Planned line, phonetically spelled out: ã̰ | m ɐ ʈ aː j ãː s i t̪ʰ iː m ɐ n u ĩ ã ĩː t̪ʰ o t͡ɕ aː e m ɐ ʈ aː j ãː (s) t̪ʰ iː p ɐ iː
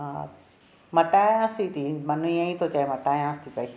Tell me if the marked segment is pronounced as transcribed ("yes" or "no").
yes